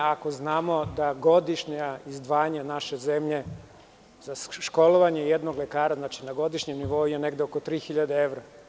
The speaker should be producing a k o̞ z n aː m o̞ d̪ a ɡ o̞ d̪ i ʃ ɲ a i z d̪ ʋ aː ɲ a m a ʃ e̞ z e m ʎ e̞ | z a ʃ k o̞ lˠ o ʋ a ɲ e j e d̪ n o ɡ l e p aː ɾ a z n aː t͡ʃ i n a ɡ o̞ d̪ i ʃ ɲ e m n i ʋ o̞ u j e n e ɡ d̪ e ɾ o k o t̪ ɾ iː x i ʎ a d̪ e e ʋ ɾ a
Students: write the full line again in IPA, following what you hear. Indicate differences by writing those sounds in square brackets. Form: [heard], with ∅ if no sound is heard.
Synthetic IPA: a k o̞ z n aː m o̞ d̪ a ɡ o̞ d̪ i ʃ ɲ a i z d̪ ʋ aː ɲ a [n] a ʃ e̞ z e m ʎ e̞ | z a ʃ k o̞ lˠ o ʋ a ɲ e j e d̪ n o ɡ l e [k] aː ɾ a z n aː t͡ʃ i n a ɡ o̞ d̪ i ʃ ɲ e m n i ʋ o̞ u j e n e ɡ d̪ e [∅] o k o t̪ ɾ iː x i ʎ a d̪ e e ʋ ɾ a